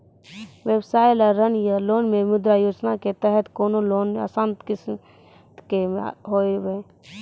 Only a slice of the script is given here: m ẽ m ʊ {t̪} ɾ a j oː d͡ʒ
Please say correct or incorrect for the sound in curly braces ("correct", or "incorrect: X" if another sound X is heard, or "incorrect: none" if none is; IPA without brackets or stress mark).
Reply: incorrect: d̪